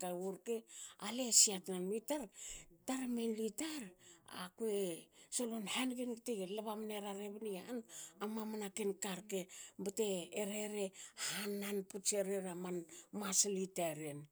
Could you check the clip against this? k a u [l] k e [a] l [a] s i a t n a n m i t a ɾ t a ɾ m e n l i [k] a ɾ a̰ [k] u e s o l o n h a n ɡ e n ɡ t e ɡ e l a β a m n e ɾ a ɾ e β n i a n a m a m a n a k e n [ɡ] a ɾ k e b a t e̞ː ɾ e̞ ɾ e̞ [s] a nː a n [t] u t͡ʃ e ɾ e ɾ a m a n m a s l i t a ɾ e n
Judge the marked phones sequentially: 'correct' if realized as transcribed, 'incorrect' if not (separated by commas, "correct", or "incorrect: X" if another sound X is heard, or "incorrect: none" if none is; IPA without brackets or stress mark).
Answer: incorrect: ɾ, correct, incorrect: e, incorrect: t, correct, incorrect: k, incorrect: h, incorrect: p